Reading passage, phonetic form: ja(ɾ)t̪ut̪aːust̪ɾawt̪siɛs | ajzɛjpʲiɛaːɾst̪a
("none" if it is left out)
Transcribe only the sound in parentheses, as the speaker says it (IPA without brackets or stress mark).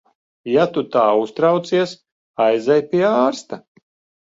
none